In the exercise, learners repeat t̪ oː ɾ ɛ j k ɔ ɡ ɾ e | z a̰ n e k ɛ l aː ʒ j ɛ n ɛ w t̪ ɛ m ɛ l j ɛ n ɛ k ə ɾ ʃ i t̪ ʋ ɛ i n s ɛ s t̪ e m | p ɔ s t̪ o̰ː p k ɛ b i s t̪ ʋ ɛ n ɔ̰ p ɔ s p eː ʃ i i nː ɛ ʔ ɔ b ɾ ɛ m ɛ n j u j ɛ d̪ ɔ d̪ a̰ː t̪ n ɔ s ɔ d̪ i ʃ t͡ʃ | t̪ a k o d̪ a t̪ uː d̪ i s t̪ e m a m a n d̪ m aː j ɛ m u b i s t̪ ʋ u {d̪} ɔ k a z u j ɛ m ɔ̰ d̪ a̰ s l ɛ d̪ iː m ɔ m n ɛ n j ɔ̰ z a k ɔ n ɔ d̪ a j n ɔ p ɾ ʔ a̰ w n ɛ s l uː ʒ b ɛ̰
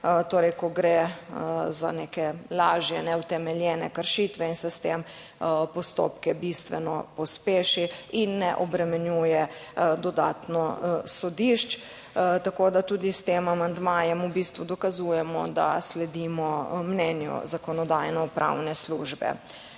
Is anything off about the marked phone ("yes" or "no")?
no